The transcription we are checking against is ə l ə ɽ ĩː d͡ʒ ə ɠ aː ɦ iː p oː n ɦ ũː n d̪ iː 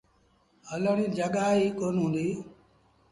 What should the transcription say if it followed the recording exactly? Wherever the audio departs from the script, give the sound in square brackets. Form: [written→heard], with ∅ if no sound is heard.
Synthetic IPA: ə l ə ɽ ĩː d͡ʒ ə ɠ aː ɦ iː [p→k] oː n ɦ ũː n d̪ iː